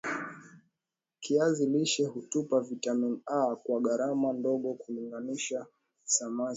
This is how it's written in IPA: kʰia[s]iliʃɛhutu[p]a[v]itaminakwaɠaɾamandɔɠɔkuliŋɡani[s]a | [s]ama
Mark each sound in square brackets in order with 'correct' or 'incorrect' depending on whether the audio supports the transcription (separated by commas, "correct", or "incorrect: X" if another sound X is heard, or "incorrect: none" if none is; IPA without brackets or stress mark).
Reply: incorrect: z, correct, correct, incorrect: ʃ, correct